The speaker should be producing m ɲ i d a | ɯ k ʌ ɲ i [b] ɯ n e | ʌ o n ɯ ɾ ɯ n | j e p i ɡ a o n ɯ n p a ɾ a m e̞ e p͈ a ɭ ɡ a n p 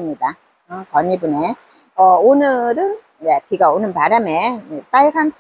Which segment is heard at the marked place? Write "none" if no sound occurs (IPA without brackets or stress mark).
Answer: b